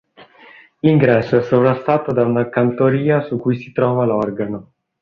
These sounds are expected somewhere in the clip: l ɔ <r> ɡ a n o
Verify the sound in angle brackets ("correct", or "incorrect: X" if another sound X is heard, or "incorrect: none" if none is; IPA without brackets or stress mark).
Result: correct